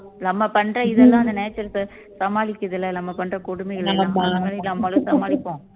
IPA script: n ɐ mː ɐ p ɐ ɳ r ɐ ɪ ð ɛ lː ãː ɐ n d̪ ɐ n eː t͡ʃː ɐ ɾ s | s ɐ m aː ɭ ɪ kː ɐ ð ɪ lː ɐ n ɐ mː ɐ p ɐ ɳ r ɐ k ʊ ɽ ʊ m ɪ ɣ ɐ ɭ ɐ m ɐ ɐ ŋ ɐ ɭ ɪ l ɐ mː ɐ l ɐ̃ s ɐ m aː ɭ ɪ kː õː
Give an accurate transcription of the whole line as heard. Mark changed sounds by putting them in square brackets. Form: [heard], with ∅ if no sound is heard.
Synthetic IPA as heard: n ɐ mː ɐ p ɐ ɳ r ɐ ɪ ð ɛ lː ãː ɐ n d̪ ɐ n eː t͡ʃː ɐ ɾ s | s ɐ m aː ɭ ɪ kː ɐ ð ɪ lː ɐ n ɐ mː ɐ p ɐ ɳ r ɐ k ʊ ɽ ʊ m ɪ ɣ ɐ ɭ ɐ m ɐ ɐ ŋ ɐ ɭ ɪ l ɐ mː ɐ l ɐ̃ s ɐ m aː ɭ ɪ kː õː